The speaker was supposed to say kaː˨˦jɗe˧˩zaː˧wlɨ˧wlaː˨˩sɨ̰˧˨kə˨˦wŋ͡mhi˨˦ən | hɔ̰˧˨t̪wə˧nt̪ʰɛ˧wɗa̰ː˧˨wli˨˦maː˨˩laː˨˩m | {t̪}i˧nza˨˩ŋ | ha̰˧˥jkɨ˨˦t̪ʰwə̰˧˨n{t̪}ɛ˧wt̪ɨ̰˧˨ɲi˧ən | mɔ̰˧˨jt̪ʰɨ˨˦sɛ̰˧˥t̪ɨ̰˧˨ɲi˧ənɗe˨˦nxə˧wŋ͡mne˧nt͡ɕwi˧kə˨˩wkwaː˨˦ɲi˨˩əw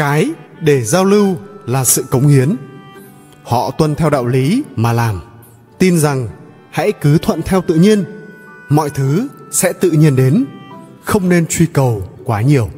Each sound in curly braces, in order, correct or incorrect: correct, incorrect: t̪ʰ

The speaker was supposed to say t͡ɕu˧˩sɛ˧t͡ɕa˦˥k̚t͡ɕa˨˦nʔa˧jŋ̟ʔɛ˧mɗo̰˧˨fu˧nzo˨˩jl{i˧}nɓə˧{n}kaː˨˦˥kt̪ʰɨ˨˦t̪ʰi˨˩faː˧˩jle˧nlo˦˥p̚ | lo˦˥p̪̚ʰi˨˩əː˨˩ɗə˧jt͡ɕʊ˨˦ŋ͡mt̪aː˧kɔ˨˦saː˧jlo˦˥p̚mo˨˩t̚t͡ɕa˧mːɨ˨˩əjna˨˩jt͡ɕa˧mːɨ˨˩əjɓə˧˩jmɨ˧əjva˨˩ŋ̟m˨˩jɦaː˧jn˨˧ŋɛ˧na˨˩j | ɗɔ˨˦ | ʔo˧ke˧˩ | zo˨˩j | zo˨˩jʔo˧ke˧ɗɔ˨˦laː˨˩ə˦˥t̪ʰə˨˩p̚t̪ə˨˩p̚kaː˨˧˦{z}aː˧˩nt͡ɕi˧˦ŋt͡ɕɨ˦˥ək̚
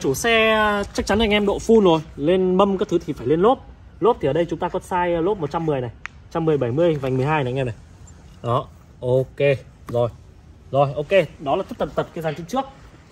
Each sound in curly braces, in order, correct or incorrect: incorrect: e˧, incorrect: m, correct

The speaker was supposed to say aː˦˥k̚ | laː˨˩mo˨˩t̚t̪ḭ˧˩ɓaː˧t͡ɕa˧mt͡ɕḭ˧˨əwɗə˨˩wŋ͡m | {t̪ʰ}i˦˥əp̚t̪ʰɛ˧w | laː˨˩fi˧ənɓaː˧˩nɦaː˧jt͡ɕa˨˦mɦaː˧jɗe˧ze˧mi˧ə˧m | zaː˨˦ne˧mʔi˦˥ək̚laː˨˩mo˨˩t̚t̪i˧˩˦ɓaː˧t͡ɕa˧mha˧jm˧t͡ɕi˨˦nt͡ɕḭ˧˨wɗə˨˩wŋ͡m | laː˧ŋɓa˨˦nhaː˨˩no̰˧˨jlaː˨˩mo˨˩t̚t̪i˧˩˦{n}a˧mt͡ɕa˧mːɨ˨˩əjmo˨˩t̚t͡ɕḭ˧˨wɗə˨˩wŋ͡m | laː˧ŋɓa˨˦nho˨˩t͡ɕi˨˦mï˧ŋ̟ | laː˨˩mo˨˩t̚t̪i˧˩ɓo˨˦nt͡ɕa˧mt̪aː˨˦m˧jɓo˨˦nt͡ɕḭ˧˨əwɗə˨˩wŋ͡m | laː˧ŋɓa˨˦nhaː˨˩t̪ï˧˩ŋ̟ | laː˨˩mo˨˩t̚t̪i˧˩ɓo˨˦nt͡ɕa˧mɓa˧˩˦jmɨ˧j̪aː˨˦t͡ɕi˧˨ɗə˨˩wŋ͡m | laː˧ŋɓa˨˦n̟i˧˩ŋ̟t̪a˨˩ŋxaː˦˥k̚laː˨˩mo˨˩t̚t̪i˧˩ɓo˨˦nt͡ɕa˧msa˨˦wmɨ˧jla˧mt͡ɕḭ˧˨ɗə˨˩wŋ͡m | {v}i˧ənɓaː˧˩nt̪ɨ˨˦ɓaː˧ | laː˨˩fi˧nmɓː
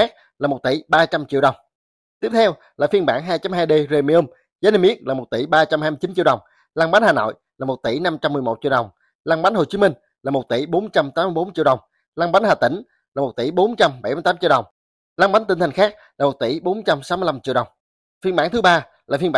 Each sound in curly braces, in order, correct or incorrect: incorrect: t̪, correct, incorrect: f

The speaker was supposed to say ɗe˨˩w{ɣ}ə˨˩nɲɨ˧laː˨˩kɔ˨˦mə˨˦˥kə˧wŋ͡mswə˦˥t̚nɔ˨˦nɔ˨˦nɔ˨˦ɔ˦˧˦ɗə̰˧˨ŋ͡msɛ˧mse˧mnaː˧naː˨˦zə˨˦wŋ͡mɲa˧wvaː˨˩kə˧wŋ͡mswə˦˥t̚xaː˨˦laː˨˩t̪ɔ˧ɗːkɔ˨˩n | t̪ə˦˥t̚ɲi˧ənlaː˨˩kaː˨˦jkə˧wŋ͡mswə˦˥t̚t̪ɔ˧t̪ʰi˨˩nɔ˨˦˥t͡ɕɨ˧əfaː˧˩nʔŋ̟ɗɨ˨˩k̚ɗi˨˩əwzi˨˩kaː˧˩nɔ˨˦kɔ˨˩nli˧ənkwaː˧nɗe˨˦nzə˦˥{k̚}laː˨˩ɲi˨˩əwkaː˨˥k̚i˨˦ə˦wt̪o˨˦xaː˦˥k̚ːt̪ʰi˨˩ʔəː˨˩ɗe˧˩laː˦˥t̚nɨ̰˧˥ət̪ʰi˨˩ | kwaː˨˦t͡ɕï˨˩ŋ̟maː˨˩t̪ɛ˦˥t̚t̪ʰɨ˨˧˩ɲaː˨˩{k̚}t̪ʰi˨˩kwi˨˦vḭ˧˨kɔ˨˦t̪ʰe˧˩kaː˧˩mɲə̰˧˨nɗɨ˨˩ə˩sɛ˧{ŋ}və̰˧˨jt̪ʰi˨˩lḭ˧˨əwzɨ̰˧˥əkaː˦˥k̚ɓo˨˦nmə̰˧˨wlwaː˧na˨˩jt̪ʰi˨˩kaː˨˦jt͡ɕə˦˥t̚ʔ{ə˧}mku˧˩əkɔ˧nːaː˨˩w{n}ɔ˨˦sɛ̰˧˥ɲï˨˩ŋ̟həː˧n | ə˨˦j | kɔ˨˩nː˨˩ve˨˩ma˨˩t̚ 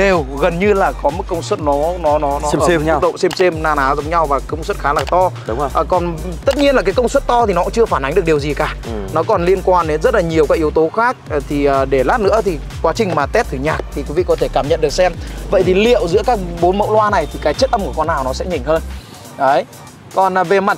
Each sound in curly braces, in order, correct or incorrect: correct, incorrect: t̚, correct, incorrect: m, correct, correct

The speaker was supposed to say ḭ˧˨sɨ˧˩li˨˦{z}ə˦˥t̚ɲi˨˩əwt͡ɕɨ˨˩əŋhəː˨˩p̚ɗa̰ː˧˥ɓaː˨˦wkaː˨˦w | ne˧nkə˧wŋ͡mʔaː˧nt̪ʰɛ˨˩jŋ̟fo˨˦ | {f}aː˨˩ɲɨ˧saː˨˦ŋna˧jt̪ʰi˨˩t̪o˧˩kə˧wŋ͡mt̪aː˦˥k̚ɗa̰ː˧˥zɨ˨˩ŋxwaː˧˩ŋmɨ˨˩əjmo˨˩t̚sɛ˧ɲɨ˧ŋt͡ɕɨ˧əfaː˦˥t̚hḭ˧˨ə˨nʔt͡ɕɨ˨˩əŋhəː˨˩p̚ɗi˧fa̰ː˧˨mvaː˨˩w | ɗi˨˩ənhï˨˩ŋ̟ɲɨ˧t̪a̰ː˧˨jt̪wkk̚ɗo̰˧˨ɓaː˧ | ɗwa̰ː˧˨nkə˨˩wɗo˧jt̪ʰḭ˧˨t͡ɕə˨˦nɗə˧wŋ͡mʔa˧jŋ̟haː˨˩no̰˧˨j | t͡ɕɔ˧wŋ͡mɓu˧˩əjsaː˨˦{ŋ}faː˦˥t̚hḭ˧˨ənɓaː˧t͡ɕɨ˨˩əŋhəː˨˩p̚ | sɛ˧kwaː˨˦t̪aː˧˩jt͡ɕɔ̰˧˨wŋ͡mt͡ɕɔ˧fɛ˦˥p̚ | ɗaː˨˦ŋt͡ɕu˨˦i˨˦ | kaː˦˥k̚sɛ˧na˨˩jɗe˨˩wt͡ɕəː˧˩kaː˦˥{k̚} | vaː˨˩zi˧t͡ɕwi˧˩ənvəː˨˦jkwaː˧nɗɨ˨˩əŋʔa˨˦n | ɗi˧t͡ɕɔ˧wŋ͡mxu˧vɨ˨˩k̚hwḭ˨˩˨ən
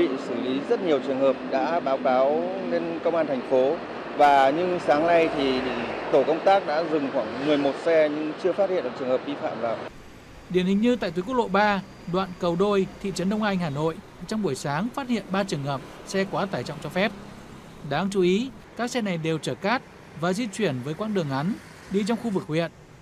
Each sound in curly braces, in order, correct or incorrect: correct, incorrect: v, correct, incorrect: t̚

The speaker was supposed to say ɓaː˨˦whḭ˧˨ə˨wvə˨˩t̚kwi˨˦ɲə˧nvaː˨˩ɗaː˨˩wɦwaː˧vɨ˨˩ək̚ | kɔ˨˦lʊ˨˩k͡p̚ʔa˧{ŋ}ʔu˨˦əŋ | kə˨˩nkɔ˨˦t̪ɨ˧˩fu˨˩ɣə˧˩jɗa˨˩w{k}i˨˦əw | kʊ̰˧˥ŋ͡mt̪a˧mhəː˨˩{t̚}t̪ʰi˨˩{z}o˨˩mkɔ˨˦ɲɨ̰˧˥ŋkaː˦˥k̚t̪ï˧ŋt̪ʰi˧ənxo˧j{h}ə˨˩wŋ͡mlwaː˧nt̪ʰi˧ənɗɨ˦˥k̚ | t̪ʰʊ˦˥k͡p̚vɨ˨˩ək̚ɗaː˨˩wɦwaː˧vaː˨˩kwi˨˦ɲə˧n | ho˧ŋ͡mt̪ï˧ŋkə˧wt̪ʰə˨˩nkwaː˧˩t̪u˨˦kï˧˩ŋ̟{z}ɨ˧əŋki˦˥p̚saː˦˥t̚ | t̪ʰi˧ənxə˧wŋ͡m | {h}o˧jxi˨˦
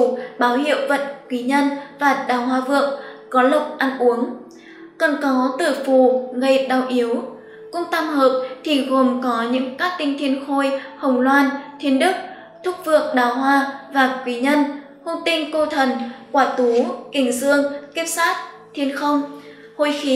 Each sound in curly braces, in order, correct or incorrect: incorrect: n, incorrect: ʔ, incorrect: p̚, incorrect: ɣ, correct, correct, correct

